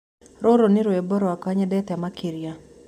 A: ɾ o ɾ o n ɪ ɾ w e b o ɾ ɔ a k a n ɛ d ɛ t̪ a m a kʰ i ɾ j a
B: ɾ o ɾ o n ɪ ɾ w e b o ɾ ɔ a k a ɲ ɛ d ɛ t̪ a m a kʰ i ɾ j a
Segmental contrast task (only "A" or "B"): B